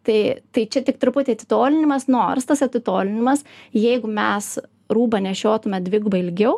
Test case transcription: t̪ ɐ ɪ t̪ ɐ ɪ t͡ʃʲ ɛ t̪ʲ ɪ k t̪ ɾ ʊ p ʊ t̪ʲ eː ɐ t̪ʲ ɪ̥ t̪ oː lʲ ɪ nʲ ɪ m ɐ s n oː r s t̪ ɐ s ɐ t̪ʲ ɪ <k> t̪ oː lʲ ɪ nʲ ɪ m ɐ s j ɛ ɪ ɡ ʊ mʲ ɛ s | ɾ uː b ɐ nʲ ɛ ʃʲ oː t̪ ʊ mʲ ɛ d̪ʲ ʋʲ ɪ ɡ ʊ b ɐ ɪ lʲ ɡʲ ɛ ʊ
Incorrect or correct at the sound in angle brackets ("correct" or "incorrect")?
incorrect